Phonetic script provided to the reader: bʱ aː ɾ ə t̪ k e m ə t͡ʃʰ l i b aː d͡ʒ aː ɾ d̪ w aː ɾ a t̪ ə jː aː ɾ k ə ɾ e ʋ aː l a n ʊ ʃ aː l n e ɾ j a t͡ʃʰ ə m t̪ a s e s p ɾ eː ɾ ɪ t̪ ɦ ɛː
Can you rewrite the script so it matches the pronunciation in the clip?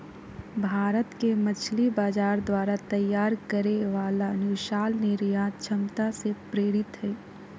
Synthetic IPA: bʱ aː ɾ ə t̪ k e m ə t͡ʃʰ l i b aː d͡ʒ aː ɾ d̪ w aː ɾ a t̪ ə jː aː ɾ k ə ɾ e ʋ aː l a n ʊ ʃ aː l n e ɾ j a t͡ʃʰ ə m t̪ a s e p ɾ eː ɾ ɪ t̪ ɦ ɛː

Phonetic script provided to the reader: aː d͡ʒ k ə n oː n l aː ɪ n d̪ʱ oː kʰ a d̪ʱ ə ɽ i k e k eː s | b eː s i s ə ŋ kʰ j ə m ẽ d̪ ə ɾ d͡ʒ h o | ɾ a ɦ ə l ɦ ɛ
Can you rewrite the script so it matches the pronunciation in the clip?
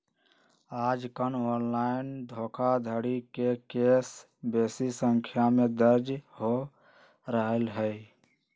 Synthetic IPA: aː d͡ʒ k ə n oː n l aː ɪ n d̪ʱ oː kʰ a d̪ʱ ə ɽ i k e k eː s | b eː s i s ə ŋ kʰ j a m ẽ d̪ ə ɾ d͡ʒ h o | ɾ ə ɦ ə l ɦ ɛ

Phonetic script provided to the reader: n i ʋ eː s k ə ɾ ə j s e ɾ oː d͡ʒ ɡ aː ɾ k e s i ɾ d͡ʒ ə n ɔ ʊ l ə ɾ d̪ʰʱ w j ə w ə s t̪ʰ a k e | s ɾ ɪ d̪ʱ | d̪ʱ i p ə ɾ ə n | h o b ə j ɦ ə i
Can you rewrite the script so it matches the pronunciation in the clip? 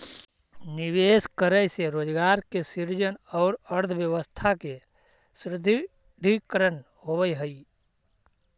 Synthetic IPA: n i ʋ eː s k ə ɾ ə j s e ɾ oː d͡ʒ ɡ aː ɾ k e s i ɾ d͡ʒ ə n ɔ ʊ ɾ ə ɾ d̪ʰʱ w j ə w ə s t̪ʰ a k e | s ɾ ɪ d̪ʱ | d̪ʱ i k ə ɾ ə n | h o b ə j ɦ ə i

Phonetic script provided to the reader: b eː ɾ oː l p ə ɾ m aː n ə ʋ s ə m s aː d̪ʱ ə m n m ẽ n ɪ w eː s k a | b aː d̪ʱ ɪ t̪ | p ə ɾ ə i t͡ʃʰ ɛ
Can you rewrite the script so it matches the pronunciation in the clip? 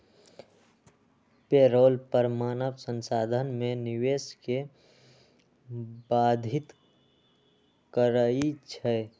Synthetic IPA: p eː ɾ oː l p ə ɾ m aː n ə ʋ s ə n s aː d̪ʱ ə n m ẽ n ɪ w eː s k e | b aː d̪ʱ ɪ t̪ | k ə ɾ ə i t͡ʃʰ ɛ

